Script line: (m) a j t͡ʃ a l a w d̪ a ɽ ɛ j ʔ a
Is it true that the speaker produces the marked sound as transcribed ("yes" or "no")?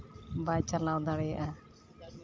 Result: no